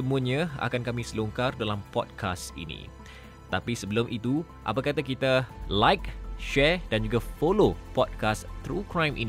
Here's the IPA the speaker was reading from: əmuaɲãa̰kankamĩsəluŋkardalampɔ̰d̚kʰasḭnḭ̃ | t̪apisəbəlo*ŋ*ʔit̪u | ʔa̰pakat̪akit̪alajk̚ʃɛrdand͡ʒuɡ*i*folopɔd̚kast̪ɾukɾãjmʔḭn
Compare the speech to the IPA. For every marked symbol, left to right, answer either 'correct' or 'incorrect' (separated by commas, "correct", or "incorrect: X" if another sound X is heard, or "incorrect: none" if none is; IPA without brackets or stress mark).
incorrect: m, incorrect: a